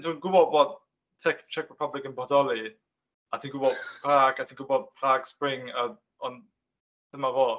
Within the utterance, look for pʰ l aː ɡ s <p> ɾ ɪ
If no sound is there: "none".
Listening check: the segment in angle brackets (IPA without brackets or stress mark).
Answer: p